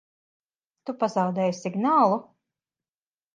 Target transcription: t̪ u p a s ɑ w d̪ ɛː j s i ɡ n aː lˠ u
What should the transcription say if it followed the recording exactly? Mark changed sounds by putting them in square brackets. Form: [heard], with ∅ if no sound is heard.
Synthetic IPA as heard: t̪ u p a [z] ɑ w d̪ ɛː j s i ɡ n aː lˠ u